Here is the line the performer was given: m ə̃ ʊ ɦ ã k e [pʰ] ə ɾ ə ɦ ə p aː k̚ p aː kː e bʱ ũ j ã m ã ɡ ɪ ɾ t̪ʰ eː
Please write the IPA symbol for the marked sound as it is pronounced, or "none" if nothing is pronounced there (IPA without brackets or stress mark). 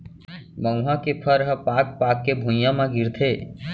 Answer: pʰ